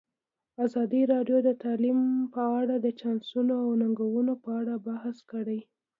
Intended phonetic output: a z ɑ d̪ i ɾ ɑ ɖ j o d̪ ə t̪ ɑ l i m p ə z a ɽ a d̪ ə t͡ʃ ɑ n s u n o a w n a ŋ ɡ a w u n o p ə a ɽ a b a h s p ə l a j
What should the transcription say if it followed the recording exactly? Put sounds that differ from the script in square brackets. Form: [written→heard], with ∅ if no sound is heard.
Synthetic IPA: a z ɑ d̪ i ɾ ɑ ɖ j o d̪ ə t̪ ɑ l i m p ə [z→∅] a ɽ a d̪ ə t͡ʃ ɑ n s u n o a w n a ŋ ɡ a w u n o p ə a ɽ a b a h s [p→k] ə [l→ɽ] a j